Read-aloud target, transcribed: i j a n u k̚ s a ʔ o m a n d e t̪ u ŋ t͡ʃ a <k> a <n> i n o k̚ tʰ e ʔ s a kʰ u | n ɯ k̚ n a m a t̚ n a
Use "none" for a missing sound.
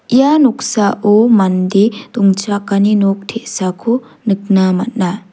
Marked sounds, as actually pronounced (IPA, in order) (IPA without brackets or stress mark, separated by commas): k, n